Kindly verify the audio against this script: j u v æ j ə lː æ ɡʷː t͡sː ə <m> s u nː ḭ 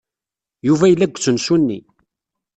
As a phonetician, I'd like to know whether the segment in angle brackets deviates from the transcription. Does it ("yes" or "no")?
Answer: yes